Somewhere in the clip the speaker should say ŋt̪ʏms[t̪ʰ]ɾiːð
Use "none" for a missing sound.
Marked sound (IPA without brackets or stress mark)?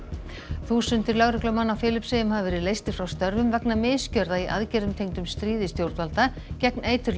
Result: t̪